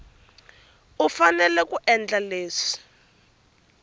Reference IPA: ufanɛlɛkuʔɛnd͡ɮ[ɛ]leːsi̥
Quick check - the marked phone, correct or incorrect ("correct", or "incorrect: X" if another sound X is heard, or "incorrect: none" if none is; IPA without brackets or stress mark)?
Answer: incorrect: a